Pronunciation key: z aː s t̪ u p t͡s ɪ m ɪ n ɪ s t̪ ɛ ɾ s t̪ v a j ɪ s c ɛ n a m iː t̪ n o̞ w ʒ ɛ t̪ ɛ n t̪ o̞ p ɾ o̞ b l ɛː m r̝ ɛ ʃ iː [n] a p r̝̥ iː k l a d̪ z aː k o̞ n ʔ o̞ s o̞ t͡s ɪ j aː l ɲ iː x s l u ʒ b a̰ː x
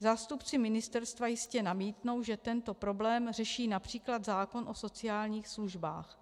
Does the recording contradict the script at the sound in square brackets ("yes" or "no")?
no